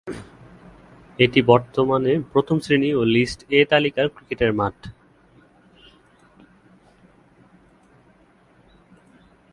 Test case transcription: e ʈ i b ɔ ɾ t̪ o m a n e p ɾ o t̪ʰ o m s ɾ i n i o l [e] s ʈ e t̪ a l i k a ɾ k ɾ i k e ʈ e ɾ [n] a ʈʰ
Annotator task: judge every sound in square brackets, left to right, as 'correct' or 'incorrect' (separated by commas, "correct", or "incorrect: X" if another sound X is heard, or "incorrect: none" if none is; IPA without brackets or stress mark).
incorrect: i, incorrect: m